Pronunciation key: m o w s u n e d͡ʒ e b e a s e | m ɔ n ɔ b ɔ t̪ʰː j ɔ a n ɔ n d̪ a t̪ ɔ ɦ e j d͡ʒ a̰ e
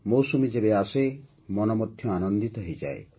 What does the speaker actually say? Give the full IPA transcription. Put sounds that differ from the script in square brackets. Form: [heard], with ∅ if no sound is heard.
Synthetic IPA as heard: m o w s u [m] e d͡ʒ e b e a s e | m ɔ n ɔ [m] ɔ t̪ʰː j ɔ a n ɔ n d̪ [i] t̪ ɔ ɦ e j d͡ʒ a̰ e